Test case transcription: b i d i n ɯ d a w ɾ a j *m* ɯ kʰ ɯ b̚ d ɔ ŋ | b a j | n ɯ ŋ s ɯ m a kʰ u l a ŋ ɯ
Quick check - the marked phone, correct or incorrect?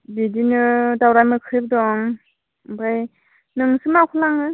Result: correct